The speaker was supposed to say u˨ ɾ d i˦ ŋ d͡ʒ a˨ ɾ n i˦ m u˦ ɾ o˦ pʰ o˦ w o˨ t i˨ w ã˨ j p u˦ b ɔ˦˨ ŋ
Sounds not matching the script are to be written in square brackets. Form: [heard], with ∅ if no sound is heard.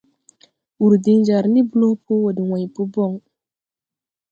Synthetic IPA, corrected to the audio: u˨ ɾ d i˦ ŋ d͡ʒ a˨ ɾ n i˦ [b] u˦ [l] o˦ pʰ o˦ w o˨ [d] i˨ w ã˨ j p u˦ b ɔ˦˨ ŋ